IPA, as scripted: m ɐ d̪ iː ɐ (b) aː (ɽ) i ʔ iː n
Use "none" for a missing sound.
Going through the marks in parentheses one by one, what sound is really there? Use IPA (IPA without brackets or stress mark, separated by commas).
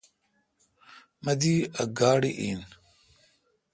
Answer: ɡ, ɽ